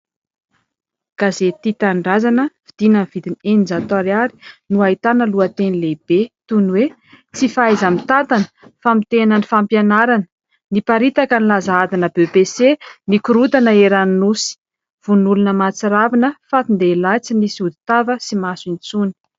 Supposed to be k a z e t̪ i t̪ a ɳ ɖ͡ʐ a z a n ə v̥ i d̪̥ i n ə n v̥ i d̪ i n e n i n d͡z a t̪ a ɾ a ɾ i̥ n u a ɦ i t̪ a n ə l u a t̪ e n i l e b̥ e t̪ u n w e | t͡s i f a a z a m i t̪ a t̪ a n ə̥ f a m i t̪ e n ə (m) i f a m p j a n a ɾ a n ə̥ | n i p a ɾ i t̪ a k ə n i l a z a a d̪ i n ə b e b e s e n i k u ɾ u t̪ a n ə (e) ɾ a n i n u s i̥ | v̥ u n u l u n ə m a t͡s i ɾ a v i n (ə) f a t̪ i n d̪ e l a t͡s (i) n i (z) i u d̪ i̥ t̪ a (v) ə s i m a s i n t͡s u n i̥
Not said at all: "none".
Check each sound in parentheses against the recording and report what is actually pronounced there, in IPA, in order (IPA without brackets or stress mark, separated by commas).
n, e, ə, i, s, v